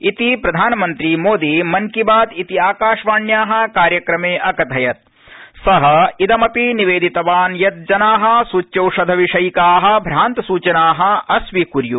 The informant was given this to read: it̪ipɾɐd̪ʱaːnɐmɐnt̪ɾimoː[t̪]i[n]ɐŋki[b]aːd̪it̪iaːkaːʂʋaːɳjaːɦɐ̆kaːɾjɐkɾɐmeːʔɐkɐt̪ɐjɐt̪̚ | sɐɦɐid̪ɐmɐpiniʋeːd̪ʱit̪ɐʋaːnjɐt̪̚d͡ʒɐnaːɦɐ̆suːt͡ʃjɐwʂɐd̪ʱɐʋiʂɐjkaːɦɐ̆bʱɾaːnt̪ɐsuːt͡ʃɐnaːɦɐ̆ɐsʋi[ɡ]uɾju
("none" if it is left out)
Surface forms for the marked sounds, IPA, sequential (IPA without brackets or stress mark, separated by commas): d̪, m, b, k